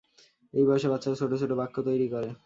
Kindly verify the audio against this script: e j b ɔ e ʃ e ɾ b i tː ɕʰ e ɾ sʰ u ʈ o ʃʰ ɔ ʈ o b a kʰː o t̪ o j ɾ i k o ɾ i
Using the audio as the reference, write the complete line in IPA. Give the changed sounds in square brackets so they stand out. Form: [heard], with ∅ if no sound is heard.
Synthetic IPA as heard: e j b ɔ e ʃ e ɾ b [a] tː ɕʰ [a] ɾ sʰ [o] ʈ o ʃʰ [o] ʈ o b a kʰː o t̪ o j ɾ i k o ɾ [e]